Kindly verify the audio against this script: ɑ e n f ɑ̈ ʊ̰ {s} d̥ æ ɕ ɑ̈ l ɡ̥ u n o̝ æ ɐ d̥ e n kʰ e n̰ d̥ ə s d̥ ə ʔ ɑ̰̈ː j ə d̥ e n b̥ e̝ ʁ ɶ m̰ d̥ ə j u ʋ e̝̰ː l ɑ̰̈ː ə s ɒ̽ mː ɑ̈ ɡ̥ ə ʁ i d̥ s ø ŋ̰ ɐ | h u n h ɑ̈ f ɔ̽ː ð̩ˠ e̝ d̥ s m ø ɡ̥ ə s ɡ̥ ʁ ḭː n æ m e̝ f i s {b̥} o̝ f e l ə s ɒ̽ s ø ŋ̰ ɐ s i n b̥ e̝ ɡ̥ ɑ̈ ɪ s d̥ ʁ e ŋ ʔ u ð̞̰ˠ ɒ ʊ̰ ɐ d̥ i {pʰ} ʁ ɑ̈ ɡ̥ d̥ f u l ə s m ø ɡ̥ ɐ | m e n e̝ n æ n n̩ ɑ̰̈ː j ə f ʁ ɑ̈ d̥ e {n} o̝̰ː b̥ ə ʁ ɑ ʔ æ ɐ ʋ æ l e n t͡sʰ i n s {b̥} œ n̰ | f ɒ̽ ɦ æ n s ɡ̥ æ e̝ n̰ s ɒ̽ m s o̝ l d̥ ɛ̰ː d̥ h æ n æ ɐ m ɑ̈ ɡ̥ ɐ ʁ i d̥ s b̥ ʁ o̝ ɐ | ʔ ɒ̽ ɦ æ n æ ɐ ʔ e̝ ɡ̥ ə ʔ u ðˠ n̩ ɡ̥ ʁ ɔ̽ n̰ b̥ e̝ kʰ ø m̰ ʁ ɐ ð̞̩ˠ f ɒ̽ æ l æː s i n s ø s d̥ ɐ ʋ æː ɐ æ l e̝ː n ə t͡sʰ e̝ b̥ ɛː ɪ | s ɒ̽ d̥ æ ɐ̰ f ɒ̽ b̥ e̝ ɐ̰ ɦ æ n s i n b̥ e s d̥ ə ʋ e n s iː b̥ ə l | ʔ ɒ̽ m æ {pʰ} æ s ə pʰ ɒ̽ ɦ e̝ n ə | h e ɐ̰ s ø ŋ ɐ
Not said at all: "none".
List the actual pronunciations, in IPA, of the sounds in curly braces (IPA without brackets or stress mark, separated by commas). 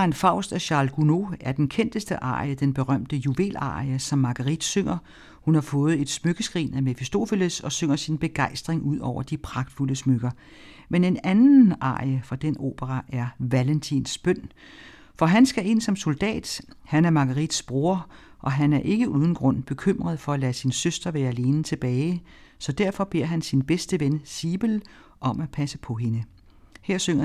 s, d̥, pʰ, n, b̥, pʰ